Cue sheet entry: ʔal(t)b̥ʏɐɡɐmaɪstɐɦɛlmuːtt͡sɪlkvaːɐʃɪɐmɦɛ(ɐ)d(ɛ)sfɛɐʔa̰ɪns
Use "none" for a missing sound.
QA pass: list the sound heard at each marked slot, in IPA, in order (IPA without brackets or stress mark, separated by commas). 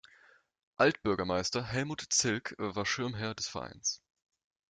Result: t, ɐ, ɛ